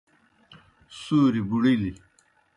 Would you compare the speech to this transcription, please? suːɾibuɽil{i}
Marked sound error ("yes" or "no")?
no